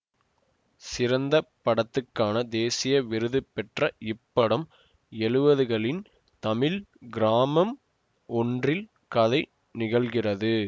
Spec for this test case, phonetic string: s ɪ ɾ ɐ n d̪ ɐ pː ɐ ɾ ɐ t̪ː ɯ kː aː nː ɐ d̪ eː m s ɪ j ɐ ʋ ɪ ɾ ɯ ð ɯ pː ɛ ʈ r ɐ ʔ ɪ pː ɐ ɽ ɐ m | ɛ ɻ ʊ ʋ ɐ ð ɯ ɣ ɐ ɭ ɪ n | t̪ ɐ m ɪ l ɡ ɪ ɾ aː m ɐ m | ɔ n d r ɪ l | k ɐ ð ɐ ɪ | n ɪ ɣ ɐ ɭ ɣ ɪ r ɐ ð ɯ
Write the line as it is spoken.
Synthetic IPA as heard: s ɪ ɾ ɐ n d̪ ɐ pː ɐ ɽ ɐ t̪ː ɯ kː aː n ɐ d̪ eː s ɪ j ɐ ʋ ɪ ɾ ɯ ð ɯ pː ɛ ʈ r ɐ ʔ ɪ pː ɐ ɽ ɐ m | ɛ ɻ ɯ ʋ ɐ ð ɯ ɣ ɐ ɭ ɪ n | t̪ ɐ m ɪ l ɡ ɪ ɾ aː m ɐ m | ɔ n d r ɪ l | k ɐ ð ɐ ɪ | n ɪ ɣ ɐ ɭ ɣ ɪ r ɐ ð ɯ